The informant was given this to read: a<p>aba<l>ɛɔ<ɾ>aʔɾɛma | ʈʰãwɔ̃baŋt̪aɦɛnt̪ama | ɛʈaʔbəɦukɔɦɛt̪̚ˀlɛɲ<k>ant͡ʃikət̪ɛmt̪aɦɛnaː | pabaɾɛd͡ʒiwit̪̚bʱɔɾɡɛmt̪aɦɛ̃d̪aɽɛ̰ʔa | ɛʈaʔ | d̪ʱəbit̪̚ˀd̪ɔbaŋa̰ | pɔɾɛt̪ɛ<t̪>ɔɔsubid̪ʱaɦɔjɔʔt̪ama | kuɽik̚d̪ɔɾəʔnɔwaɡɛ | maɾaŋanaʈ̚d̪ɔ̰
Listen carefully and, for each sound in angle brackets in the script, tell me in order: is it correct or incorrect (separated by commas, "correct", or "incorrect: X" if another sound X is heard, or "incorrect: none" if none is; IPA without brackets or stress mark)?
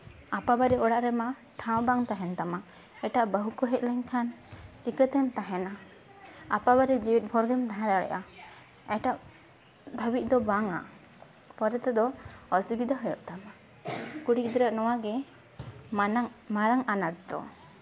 correct, incorrect: ɾ, incorrect: ɽ, incorrect: kʰ, incorrect: d̪